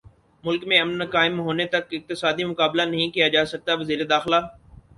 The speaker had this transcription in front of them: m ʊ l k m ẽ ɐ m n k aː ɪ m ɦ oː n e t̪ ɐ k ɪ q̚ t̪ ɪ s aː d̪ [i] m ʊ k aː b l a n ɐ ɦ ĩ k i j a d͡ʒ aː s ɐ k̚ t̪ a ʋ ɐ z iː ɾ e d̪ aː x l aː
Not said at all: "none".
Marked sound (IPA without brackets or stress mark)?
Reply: i